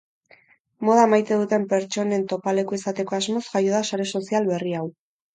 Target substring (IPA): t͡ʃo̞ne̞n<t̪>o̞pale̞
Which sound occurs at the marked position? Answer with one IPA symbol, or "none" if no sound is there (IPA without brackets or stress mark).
t̪